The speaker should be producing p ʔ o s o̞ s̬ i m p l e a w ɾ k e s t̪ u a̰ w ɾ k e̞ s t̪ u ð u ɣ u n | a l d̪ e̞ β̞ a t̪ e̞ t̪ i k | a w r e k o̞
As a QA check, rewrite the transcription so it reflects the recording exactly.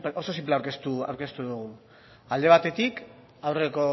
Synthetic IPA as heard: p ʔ o s o̞ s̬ i m p l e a w ɾ k e s t̪ u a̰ w ɾ k e̞ s t̪ u ð u ɣ u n | a l d̪ e̞ β̞ a t̪ e̞ t̪ i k | a w r e k o̞